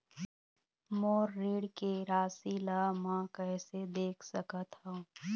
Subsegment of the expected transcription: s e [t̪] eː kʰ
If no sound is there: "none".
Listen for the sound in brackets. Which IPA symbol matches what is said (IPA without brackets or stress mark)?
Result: d̪